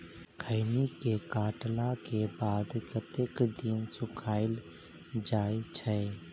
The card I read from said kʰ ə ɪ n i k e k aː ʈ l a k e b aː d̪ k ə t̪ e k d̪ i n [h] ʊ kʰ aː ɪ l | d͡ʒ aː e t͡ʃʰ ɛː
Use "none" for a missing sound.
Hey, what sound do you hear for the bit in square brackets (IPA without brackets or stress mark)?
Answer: s